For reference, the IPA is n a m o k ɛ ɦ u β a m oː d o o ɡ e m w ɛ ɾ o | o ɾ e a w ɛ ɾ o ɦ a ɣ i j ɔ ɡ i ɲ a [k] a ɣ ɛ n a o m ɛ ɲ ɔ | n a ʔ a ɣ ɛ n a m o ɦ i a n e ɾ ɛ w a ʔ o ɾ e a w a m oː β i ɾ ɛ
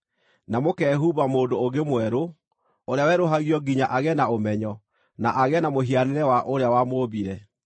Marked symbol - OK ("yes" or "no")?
no